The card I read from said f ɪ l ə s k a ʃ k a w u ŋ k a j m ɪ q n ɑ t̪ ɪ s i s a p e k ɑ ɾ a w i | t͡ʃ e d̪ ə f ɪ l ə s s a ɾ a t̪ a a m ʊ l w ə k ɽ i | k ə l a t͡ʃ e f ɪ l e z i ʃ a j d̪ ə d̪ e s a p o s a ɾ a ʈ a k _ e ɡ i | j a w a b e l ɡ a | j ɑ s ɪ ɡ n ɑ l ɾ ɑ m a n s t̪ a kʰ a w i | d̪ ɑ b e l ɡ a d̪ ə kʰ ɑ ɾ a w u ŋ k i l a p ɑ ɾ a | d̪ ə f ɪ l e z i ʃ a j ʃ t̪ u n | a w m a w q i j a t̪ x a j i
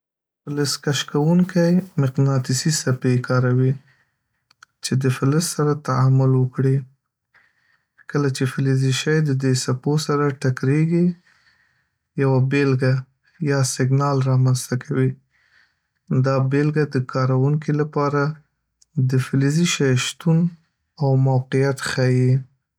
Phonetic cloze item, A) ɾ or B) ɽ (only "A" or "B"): A